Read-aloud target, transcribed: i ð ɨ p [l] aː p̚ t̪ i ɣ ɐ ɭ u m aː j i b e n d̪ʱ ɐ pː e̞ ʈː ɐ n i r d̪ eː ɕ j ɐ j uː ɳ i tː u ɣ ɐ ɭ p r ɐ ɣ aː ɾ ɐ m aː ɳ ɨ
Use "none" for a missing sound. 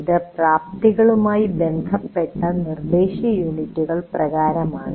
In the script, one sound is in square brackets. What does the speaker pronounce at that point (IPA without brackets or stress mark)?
r